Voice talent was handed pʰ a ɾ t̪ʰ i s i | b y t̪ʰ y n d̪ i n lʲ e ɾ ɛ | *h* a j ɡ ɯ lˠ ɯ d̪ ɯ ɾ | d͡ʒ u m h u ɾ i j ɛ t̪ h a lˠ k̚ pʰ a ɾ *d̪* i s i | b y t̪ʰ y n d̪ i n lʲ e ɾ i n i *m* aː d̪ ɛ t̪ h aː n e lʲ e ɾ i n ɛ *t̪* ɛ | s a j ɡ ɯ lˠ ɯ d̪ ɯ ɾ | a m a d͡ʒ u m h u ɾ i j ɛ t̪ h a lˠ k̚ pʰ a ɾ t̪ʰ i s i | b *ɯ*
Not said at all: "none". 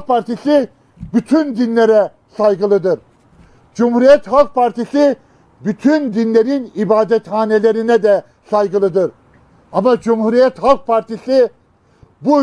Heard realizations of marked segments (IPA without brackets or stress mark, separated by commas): s, t̪, b, d̪, u